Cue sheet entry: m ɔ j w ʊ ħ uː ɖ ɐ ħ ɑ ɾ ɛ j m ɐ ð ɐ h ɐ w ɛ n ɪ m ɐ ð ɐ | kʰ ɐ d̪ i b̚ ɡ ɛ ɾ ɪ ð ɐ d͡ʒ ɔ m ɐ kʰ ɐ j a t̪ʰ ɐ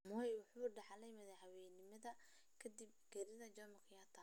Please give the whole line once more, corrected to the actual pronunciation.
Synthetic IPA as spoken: m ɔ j w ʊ ħ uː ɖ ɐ ħ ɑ l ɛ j m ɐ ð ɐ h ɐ w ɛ n ɪ m ɐ ð ɐ | kʰ ɐ d̪ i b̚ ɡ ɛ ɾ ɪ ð ɐ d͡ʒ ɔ m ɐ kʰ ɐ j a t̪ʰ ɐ